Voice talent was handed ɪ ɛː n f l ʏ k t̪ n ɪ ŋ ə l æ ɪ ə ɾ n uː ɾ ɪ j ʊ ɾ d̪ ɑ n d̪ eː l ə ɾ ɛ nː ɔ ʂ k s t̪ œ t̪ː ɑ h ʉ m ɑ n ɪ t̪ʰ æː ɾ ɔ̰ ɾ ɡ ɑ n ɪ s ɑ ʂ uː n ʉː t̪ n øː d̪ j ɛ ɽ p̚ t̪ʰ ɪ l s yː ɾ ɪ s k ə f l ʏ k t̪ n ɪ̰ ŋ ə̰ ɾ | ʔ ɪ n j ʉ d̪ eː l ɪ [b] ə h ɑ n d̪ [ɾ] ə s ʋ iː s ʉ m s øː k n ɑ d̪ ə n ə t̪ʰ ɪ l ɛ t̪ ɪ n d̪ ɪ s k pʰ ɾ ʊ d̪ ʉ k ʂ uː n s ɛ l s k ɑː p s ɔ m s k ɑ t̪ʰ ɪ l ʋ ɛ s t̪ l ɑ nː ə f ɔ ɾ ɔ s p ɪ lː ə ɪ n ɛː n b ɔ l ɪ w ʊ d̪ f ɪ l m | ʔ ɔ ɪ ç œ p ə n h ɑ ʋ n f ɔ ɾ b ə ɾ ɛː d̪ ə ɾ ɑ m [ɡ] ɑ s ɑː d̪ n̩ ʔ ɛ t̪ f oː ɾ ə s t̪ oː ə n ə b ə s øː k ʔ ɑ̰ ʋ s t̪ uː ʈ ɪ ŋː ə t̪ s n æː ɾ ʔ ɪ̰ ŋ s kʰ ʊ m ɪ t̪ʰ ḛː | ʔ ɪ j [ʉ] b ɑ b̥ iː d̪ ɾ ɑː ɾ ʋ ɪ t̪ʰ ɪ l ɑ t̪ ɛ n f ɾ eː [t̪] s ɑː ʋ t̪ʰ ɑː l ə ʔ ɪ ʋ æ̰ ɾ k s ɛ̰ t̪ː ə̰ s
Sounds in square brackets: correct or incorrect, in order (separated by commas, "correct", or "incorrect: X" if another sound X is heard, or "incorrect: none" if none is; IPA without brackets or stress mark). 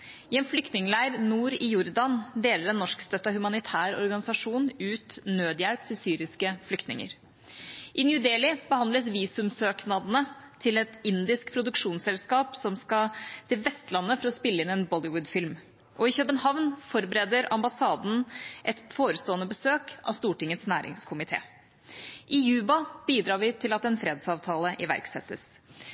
correct, incorrect: l, incorrect: b, incorrect: ʉː, incorrect: d̪